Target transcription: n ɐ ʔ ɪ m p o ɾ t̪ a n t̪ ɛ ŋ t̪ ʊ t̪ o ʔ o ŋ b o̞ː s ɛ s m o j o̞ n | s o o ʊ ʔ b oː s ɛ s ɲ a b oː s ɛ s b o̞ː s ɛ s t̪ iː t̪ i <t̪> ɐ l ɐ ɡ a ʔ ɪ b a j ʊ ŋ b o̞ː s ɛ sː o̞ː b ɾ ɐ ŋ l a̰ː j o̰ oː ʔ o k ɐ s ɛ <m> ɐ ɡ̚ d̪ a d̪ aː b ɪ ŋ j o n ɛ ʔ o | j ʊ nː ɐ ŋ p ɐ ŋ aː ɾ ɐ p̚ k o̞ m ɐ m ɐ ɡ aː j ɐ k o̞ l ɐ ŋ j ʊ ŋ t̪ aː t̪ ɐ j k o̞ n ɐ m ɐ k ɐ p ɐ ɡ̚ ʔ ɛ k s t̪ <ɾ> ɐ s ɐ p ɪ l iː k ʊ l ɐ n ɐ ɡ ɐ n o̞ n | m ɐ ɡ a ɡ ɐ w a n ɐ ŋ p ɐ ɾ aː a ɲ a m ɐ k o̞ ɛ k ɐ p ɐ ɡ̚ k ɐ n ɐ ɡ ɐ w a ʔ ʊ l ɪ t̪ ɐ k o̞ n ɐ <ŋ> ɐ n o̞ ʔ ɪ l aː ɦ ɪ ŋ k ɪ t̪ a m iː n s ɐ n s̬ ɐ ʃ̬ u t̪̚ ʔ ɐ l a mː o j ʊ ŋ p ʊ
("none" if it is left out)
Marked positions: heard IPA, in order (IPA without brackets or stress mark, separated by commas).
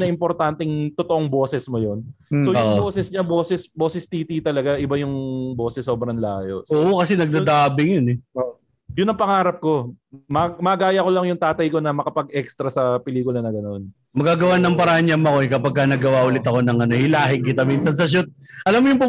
t̪, n, ɾ, ŋ